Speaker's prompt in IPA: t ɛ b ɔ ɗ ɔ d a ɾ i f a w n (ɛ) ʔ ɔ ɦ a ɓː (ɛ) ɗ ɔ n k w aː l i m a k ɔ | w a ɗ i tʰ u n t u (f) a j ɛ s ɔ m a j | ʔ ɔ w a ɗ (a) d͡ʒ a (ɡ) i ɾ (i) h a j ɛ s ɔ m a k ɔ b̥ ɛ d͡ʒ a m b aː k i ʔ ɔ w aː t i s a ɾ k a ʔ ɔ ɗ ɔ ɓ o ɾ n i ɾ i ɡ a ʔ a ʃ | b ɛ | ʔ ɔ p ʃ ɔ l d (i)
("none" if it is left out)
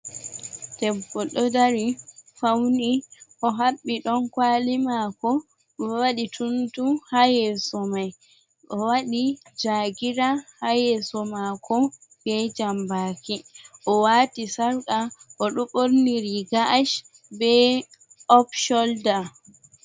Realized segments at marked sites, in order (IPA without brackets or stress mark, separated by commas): i, i, h, i, ɡ, a, a